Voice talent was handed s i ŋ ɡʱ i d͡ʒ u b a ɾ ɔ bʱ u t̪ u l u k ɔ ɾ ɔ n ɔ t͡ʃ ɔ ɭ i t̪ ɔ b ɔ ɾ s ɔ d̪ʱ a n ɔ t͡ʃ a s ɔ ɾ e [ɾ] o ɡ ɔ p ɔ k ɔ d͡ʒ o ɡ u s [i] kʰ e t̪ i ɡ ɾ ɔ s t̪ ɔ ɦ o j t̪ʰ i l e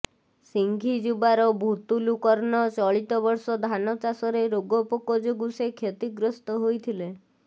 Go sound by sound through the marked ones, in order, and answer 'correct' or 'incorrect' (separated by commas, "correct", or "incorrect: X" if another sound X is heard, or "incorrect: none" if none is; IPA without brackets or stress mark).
correct, incorrect: e